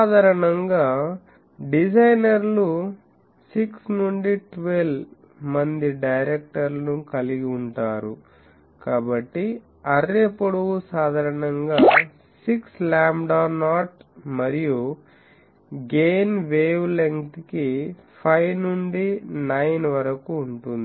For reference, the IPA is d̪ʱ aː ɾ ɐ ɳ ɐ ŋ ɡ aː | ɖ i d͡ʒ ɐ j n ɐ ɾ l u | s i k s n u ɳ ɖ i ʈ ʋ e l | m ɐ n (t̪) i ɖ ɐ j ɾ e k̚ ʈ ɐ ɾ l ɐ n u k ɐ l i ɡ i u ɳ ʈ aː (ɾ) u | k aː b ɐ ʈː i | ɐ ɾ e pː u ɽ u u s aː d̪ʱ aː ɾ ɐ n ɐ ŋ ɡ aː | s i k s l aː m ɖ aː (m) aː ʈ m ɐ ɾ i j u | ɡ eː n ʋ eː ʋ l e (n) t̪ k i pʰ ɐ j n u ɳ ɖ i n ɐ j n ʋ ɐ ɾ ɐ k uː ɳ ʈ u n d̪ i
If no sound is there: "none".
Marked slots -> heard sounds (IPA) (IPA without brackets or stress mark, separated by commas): d̪, ɾ, n, ŋ